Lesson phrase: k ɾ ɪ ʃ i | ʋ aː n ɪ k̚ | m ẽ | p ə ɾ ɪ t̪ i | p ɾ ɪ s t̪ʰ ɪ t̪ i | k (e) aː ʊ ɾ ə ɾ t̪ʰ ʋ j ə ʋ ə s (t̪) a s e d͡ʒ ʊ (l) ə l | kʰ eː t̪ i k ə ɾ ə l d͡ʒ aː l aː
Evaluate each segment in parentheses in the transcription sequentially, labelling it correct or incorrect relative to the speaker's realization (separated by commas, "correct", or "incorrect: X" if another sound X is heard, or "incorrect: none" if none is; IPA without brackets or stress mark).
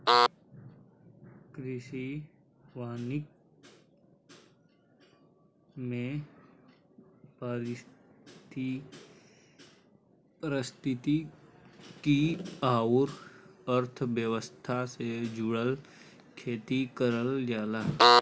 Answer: incorrect: i, incorrect: t̪ʰ, incorrect: ɽ